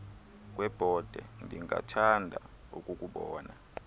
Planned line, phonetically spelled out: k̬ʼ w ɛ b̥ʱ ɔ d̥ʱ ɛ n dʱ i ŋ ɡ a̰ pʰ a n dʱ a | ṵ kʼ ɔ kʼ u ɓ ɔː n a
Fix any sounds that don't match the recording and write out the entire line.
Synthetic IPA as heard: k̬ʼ w ɛ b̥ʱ ɔ d̥ʱ ɛ n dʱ i ŋ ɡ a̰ tʰ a n dʱ a | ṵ kʼ u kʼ u ɓ ɔː n a

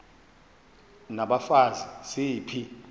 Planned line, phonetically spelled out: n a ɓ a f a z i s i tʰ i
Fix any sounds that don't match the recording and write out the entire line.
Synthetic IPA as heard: n a ɓ a f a z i s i pʰ i

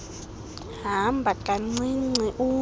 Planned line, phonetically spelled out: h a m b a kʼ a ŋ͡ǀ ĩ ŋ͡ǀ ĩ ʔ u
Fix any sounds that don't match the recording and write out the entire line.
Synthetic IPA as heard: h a m b a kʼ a ŋ͡ǀ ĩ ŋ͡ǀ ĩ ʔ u

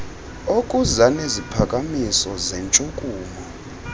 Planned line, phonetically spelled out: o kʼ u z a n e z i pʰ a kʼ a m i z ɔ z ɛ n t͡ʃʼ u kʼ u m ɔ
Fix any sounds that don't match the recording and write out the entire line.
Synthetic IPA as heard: o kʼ u z a n e z i pʰ a kʼ a m i s ɔ z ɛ n t͡ʃʼ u kʼ uː m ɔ

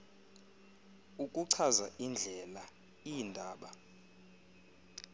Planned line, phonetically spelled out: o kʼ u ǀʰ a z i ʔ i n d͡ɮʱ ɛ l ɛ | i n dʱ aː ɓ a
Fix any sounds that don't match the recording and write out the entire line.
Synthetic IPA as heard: u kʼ u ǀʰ a z a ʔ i n d͡ɮʱ ɛ l a | i n dʱ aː ɓ a

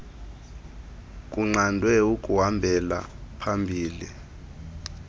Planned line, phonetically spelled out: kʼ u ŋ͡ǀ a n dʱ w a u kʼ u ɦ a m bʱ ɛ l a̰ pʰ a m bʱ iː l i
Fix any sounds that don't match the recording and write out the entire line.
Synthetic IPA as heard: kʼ u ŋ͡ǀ a n dʱ w ɛ u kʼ u ɦ a m bʱ ɛ l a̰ pʰ a m bʱ iː l i

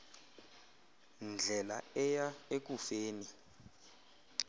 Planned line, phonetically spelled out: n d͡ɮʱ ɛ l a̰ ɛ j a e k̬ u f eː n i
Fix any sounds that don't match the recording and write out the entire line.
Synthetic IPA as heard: n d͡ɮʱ ɛ l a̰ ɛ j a e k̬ u f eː n i

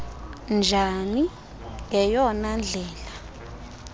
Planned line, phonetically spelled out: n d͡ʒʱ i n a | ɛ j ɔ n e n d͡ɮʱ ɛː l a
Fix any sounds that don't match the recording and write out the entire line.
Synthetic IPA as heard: n d͡ʒʱ a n i | ɛ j ɔ n a n d͡ɮʱ ɛː l a

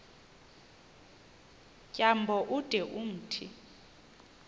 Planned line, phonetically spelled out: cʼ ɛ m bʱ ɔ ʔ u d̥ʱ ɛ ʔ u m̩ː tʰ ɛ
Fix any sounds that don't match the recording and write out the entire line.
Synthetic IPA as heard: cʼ a m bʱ ɔ ʔ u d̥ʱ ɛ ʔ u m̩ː tʰ i

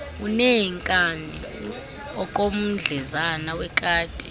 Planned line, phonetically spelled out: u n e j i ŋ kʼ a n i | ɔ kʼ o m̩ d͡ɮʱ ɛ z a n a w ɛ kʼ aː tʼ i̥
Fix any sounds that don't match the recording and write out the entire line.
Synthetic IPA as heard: u n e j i ŋ kʼ a n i | ɔ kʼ o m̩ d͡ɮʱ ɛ z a n a w ɛ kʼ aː tʼ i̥

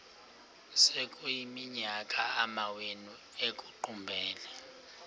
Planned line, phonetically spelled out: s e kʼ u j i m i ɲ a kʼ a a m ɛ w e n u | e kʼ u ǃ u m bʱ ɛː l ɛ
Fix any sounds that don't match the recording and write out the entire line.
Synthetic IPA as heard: s e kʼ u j i m i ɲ a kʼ a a m a w e n u | e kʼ u ǃ u m bʱ ɛː l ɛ

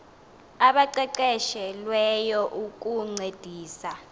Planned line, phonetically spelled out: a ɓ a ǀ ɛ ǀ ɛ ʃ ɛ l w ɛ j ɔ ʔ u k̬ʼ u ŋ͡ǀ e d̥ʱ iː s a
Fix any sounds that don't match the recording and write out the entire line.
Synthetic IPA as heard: a ɓ a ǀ ɛ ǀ ɛ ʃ ɛ l w ɛ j ɔ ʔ u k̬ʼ u ŋ͡ǀ e d̥ʱ iː s a

